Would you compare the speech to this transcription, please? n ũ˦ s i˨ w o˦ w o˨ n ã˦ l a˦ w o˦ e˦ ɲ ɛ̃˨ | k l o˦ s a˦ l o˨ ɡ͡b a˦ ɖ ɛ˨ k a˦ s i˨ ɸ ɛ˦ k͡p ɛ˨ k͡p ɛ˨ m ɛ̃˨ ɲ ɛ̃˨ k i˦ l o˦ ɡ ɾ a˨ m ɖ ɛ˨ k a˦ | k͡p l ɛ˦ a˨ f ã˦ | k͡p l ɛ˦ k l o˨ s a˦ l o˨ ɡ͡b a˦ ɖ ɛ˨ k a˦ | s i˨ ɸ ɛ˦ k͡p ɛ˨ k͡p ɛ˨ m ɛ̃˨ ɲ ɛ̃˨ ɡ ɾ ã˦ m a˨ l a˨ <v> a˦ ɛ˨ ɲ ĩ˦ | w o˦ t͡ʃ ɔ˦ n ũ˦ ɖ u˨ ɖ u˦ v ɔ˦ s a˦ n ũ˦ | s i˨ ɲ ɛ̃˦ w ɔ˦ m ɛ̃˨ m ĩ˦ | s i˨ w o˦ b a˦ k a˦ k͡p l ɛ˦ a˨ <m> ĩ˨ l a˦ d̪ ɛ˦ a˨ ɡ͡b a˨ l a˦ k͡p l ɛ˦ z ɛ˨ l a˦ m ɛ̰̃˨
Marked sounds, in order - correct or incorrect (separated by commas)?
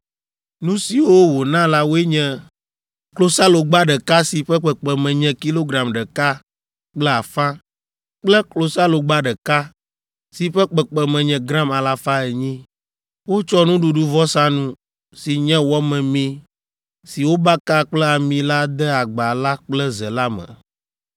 incorrect, correct